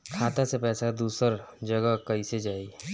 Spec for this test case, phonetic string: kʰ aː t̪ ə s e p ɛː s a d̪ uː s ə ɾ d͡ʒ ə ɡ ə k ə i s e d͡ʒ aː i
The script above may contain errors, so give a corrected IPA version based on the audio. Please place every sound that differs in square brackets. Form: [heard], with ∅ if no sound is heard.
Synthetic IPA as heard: kʰ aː t̪ [a] s e p ɛː s a d̪ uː s ə ɾ d͡ʒ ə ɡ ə k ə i s e d͡ʒ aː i